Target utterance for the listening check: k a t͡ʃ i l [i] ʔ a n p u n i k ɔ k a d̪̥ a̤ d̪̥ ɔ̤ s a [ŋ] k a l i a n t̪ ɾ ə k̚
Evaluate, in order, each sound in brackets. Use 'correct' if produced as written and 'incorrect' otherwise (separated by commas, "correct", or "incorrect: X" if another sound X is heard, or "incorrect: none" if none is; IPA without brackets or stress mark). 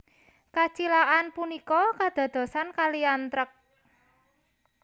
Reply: incorrect: a, incorrect: n